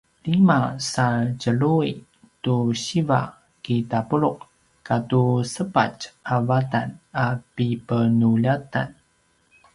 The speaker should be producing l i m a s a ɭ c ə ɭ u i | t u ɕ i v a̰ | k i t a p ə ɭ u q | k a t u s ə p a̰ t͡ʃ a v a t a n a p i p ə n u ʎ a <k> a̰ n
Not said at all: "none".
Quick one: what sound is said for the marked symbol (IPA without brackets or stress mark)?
t